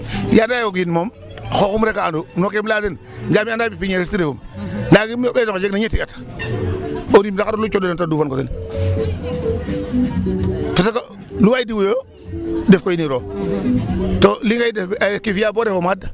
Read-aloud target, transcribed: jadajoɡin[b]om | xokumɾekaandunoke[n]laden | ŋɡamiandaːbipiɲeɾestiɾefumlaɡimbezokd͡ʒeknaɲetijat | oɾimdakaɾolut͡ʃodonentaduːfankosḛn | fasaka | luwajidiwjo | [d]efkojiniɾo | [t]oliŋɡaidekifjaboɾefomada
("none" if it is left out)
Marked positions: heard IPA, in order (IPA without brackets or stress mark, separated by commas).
m, m, d, t